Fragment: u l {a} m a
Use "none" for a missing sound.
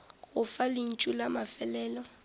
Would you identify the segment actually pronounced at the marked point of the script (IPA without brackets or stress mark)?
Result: a